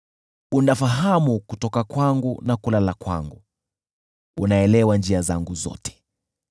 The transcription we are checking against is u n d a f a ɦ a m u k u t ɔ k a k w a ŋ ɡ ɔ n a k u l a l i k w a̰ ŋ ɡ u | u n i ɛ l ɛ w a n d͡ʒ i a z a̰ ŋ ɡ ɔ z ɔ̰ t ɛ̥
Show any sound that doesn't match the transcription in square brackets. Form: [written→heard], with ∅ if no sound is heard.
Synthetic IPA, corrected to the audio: u n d a f a ɦ a m u k u t ɔ k a k w a ŋ ɡ [ɔ→u] n a k u l a l [i→a] k w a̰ ŋ ɡ u | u n [i→a] ɛ l ɛ w a n d͡ʒ i a z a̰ ŋ ɡ [ɔ→u] z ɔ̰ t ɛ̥